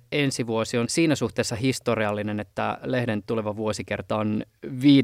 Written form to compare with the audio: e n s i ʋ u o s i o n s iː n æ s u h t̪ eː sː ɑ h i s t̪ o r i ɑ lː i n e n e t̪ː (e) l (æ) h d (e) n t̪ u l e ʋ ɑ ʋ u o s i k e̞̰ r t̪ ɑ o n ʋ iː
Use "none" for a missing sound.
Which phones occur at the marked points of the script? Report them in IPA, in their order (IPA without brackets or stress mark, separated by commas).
æ, e, e